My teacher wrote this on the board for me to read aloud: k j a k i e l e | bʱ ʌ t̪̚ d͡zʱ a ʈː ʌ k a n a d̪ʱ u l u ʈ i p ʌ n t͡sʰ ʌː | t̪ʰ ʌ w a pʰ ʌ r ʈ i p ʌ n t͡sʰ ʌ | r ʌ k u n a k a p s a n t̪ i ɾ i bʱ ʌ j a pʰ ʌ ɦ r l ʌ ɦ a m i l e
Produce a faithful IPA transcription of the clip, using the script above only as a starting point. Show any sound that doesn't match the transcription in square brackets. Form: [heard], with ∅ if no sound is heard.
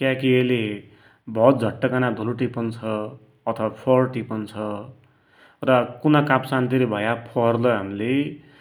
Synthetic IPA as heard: k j a k i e l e | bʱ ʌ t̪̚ d͡zʱ [ʌ] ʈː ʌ k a n a d̪ʱ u l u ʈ i p ʌ n t͡sʰ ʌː | t̪ʰ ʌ w a pʰ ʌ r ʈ i p ʌ n t͡sʰ ʌ | r ʌ k u n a k a p s a n t̪ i ɾ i bʱ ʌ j a pʰ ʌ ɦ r l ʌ ɦ a m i l e